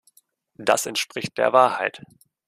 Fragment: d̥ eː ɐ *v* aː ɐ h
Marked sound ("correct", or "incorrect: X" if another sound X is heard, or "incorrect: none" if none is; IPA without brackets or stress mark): correct